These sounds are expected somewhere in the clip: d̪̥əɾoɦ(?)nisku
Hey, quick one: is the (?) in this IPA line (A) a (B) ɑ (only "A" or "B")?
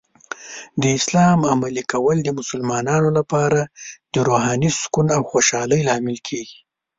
B